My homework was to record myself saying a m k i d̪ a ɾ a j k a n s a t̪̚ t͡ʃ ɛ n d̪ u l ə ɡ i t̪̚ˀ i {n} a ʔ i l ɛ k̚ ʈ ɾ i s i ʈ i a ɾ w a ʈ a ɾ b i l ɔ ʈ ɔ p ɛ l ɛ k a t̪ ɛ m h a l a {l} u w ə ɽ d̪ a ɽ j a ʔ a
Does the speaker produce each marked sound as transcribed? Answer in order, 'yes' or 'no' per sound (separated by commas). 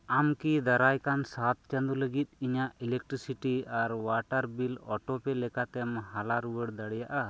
no, no